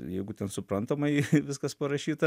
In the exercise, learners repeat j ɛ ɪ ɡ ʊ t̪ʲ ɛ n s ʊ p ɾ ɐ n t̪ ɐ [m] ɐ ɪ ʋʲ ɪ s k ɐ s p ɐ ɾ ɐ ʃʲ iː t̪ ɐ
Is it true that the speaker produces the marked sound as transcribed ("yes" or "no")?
yes